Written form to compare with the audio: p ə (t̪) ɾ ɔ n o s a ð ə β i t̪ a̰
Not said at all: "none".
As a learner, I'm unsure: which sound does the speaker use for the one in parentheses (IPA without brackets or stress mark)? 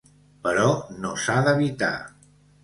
none